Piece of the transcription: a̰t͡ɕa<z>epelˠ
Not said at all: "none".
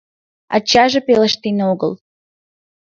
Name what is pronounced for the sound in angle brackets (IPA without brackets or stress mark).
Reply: ʒ